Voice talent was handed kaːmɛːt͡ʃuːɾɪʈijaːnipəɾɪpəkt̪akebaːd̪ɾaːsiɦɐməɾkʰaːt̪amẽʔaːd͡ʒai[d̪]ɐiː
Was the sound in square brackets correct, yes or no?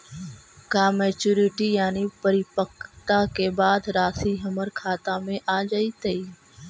no